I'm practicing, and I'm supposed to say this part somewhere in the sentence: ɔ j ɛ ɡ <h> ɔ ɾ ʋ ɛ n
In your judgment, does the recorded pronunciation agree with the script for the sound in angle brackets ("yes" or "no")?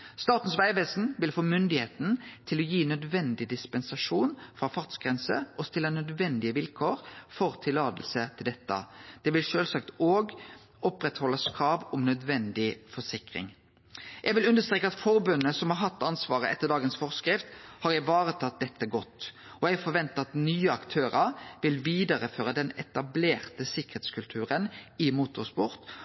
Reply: no